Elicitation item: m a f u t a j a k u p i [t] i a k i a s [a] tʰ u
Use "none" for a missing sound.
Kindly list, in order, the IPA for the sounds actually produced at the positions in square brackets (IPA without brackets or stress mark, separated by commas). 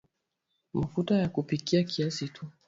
k, i